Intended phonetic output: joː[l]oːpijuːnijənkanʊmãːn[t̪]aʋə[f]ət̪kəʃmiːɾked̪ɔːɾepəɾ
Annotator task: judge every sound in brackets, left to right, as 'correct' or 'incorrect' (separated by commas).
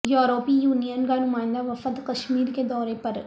incorrect, incorrect, correct